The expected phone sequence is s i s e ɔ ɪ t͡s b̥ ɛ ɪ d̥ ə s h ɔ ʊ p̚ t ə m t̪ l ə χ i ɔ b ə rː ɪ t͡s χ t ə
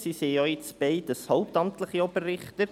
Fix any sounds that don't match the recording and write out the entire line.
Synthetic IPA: s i s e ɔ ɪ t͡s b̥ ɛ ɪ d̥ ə s h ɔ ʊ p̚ t ɑ m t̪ l ə χ i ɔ b ə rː ɪ χ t ə